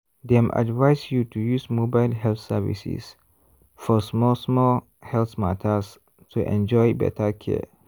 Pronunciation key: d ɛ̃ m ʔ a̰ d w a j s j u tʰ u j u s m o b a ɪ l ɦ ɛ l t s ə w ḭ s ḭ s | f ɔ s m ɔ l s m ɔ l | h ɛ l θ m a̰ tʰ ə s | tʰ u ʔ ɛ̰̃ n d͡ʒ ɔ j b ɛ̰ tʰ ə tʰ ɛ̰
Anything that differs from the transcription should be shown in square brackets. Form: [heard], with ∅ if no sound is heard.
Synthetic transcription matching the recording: d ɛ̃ m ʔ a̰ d [v] a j s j u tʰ u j u s m o b a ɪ l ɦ ɛ l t s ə [v] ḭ s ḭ s | f ɔ s m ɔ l s m ɔ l | h ɛ l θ m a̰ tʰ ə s | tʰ u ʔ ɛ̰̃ n d͡ʒ ɔ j b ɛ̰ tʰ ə [kʰ] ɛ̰